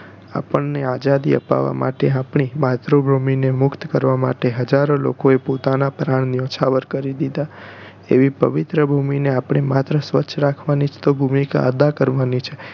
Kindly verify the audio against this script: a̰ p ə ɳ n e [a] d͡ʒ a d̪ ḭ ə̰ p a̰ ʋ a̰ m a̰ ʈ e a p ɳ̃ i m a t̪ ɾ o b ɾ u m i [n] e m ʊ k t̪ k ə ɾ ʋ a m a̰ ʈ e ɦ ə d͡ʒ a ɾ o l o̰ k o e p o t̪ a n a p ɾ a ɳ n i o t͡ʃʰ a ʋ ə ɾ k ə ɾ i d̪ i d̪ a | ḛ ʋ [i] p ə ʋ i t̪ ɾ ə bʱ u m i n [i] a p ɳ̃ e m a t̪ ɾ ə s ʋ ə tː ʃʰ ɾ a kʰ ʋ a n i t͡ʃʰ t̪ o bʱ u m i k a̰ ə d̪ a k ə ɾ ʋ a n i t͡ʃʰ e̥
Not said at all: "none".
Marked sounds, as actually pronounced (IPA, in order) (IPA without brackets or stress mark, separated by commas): a, n, i, e